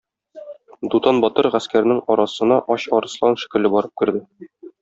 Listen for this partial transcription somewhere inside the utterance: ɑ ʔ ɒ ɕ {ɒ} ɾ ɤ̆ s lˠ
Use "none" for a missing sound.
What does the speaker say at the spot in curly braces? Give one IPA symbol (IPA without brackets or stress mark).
ɒ